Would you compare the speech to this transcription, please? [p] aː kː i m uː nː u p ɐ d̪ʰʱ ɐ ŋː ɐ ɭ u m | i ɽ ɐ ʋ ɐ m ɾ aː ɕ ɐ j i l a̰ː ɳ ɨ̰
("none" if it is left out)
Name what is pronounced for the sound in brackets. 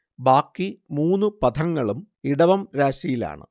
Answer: b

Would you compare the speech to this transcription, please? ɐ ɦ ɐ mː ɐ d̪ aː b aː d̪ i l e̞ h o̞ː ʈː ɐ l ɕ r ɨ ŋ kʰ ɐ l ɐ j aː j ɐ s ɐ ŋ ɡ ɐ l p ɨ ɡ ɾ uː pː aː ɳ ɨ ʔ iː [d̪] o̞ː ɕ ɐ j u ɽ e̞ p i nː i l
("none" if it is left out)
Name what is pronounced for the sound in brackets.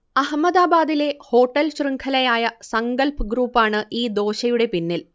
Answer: d̪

